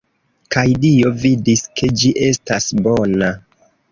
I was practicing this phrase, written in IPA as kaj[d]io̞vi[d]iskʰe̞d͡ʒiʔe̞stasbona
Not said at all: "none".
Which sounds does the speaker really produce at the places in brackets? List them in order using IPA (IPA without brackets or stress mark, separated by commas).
d, d